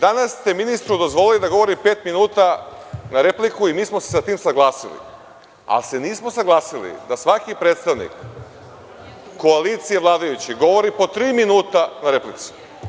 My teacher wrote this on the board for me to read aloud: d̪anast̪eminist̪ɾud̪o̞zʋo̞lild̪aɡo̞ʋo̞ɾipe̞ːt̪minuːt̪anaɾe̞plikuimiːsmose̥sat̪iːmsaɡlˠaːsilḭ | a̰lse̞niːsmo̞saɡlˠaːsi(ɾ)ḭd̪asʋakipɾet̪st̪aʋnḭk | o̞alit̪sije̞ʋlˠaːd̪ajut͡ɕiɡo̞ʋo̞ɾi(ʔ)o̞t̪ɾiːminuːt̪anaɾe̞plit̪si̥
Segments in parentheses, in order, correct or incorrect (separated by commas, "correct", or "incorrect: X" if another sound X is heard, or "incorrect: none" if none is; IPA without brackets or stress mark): incorrect: l, incorrect: p